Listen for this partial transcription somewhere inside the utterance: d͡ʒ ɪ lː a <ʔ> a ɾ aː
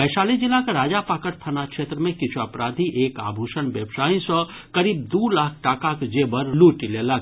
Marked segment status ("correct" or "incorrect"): incorrect